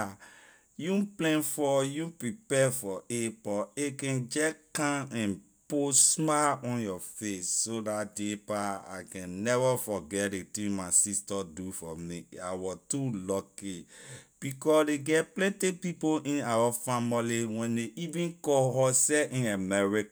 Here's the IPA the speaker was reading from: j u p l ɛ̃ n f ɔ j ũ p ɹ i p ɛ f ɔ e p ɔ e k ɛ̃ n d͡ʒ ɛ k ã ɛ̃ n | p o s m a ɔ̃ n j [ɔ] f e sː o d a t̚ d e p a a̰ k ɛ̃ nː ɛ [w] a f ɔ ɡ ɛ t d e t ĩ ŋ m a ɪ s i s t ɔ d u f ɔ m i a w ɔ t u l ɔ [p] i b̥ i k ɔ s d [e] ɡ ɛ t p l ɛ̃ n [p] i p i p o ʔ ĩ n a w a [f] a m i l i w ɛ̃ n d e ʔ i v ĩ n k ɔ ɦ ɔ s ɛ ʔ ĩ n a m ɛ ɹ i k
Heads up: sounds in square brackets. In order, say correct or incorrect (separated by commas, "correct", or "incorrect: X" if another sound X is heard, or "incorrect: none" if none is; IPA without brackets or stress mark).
correct, incorrect: v, incorrect: k, correct, incorrect: t, correct